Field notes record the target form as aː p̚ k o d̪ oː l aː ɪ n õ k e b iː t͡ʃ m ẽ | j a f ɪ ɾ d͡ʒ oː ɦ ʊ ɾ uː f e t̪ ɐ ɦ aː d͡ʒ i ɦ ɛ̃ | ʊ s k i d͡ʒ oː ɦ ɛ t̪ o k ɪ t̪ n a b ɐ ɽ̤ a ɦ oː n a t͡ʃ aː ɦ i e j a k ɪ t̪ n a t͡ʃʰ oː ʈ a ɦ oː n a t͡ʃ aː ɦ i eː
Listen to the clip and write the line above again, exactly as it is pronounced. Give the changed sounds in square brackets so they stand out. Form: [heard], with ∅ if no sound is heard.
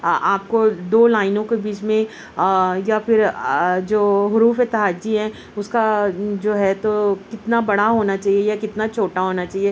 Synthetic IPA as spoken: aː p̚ k o d̪ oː l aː ɪ n õ k e b iː t͡ʃ m ẽ | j a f ɪ ɾ d͡ʒ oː ɦ ʊ ɾ uː f e t̪ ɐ ɦ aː d͡ʒ i ɦ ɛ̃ | ʊ s k [a] d͡ʒ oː ɦ ɛ t̪ o k ɪ t̪ n a b ɐ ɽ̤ a ɦ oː n a t͡ʃ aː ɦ i e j a k ɪ t̪ n a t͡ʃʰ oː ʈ a ɦ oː n a t͡ʃ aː ɦ i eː